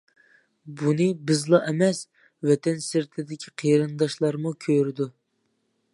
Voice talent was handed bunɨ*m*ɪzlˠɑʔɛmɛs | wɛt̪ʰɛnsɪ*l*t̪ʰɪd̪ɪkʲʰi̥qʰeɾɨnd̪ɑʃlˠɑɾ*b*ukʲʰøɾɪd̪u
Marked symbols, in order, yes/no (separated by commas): no, no, no